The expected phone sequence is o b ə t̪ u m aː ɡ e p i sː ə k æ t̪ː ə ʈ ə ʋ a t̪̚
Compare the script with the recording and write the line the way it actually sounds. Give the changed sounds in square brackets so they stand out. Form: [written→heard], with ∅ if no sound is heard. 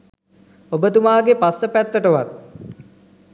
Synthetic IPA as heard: o b ə t̪ u m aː ɡ e p [i→a] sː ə [k→p] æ t̪ː ə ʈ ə ʋ a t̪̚